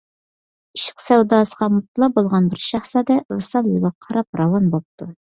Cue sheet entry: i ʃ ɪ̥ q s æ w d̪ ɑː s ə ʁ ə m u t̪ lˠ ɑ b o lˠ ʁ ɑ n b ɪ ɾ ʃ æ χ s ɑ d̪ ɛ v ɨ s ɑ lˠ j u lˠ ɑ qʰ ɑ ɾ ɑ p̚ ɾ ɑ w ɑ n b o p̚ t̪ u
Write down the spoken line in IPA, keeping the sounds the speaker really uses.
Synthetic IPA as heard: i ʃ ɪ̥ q s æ w d̪ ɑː s ə ʁ ɑ m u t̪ lˠ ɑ b o lˠ ʁ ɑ n b ɪ ɾ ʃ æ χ s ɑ d̪ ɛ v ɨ s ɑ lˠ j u lˠ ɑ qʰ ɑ ɾ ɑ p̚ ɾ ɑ w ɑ n b o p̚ t̪ u